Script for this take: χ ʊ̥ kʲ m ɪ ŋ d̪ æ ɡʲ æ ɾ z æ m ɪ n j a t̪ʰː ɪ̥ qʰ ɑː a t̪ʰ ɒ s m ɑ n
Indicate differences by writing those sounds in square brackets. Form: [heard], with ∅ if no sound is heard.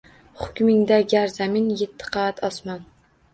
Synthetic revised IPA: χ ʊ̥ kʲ m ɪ ŋ d̪ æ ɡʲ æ ɾ z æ m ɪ n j [e] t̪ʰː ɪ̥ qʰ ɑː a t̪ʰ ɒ s m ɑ n